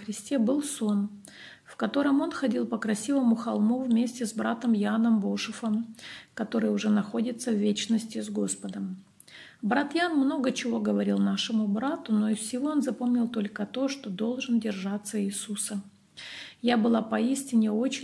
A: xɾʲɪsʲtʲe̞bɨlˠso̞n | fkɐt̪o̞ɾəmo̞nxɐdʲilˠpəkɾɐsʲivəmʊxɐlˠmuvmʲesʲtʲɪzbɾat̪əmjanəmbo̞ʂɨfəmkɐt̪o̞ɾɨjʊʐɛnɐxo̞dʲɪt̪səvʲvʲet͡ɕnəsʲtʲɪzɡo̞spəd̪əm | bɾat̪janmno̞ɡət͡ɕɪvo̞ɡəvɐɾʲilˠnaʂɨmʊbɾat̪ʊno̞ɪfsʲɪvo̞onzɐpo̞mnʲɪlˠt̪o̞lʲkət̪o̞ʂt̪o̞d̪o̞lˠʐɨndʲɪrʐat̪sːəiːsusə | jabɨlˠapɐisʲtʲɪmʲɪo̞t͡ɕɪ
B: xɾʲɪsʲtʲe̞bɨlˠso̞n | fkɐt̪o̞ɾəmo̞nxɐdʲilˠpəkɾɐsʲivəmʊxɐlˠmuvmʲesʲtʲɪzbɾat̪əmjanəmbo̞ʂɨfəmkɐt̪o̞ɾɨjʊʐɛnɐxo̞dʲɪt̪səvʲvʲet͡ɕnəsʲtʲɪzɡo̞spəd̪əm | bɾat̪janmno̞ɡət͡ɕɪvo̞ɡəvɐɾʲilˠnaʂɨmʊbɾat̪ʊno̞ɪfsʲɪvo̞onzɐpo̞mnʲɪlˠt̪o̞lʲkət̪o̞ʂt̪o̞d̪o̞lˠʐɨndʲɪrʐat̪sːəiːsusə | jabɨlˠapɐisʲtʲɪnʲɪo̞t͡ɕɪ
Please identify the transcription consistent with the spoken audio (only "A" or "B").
B